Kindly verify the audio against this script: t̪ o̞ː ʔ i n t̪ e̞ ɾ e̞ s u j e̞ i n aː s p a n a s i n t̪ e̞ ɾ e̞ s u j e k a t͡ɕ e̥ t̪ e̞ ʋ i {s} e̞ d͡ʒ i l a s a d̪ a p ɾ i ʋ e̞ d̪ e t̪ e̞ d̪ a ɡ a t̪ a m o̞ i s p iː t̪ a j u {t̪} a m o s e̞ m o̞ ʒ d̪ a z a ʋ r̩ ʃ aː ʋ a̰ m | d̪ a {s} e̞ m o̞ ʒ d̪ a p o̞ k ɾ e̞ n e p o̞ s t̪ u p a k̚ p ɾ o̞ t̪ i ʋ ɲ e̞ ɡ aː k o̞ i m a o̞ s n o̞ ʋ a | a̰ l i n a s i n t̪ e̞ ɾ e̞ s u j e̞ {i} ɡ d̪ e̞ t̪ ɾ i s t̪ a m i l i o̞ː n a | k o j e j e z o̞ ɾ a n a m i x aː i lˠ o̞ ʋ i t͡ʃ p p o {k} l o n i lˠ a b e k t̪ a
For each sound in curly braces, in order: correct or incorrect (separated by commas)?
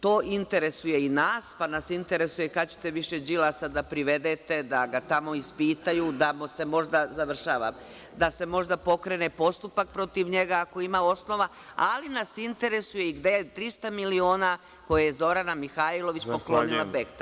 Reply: incorrect, incorrect, correct, correct, correct